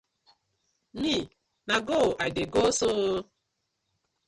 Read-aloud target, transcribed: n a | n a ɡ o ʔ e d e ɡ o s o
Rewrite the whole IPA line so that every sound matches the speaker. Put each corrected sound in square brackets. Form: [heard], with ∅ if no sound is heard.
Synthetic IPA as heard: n [i] | n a ɡ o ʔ [a] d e ɡ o s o